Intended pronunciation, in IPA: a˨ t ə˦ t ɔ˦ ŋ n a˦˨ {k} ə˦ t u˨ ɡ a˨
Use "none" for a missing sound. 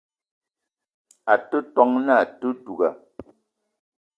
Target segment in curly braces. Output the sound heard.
t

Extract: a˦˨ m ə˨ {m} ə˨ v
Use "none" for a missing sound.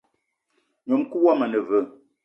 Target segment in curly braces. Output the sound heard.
n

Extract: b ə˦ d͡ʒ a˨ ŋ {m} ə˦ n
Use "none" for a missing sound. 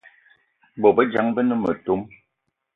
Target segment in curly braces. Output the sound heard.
b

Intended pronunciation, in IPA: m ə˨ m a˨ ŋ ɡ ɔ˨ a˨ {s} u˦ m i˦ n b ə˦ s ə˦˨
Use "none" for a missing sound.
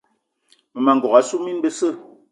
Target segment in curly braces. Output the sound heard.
s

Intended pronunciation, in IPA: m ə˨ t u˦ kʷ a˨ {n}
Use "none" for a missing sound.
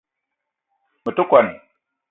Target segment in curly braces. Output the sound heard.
n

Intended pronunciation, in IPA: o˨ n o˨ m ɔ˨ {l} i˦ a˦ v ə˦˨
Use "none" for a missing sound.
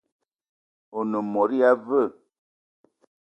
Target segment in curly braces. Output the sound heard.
ɾ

